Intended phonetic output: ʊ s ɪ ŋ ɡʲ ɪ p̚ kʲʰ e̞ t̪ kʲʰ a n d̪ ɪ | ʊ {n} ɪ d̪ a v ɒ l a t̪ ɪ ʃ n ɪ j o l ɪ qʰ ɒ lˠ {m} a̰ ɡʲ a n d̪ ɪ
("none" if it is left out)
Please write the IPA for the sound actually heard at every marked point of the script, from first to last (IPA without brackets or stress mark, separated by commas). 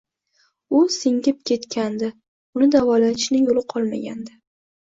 n, m